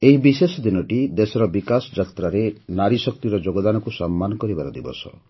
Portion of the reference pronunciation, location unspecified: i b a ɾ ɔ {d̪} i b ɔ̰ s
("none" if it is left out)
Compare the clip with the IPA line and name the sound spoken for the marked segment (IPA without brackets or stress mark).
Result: d̪